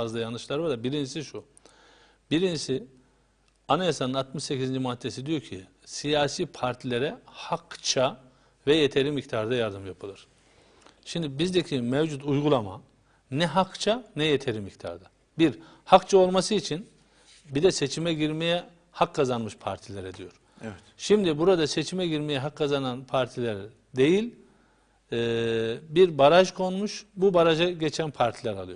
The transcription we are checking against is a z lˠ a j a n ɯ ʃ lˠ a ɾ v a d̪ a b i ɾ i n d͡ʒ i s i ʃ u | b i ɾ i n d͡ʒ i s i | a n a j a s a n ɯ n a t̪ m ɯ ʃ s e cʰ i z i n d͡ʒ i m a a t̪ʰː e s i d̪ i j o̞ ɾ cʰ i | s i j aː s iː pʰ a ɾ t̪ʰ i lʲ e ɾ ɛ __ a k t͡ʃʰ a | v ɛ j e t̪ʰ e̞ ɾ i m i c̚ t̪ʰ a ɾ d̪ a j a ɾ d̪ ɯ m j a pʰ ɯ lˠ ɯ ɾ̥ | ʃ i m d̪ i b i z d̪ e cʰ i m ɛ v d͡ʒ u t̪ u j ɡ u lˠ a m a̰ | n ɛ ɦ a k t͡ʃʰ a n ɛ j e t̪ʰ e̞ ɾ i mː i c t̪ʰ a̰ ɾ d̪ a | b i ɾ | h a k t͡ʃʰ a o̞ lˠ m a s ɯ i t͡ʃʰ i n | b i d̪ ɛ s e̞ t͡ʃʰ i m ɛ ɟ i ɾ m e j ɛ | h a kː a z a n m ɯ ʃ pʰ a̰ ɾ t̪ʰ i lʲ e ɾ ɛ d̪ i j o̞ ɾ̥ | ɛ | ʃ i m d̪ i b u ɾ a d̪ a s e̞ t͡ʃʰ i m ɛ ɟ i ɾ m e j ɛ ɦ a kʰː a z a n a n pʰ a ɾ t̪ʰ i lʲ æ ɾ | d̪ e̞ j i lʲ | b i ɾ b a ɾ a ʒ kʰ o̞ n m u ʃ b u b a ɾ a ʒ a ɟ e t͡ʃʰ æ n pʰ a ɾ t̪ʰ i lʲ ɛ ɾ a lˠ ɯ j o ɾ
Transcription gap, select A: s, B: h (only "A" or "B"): B